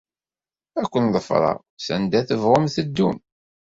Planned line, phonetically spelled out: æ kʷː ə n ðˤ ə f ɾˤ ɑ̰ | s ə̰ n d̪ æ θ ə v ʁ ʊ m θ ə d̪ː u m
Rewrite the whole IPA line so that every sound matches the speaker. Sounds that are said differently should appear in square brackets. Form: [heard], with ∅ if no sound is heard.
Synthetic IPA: æ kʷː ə n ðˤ ə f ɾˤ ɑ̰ | s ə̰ n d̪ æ θ ə v ʁ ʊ m θ ə d̪ː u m